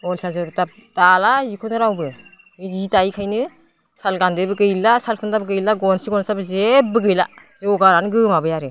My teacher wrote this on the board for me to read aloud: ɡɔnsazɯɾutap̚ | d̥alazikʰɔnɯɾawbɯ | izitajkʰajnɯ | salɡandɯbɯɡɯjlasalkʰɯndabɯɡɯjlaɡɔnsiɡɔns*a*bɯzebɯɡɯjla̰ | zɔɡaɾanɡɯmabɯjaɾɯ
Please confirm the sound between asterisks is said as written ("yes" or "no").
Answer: yes